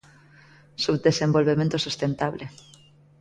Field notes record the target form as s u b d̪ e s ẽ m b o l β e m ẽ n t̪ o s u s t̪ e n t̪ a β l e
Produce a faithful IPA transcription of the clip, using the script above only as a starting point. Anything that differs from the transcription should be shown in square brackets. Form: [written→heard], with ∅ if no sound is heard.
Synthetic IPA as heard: s u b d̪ e s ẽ m b o l β e m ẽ n t̪ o s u s t̪ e n t̪ a β l e